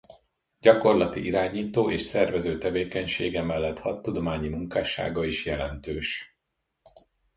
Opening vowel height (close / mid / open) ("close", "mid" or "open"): open